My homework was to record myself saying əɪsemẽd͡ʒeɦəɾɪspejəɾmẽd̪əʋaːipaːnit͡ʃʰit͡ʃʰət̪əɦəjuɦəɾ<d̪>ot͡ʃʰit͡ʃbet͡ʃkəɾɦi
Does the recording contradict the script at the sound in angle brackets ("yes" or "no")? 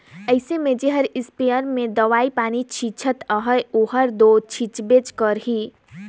no